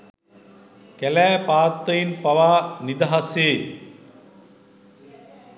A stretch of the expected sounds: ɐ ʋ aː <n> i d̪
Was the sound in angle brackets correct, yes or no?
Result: yes